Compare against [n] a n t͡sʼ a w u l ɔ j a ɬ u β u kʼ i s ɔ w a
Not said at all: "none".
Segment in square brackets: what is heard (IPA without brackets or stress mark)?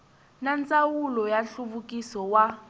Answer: n